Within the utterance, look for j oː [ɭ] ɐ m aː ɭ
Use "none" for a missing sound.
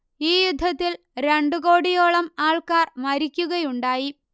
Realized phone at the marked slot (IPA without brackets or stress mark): ɭ